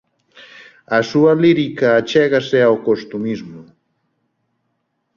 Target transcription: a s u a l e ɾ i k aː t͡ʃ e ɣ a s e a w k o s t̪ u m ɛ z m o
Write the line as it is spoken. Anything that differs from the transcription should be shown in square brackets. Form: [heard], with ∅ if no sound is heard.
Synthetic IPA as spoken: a s u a l [i] ɾ i k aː t͡ʃ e ɣ a s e a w k o s t̪ u m [i] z m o